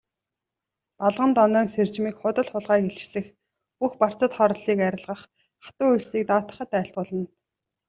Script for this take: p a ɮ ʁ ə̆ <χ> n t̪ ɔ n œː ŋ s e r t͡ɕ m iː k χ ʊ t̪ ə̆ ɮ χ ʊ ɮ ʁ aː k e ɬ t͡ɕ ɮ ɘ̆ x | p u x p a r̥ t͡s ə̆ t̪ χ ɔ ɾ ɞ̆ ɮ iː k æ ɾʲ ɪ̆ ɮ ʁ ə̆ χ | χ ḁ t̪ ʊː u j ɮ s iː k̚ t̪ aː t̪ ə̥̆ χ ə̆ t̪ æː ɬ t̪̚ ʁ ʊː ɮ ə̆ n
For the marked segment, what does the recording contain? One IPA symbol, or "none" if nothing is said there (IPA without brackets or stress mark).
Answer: none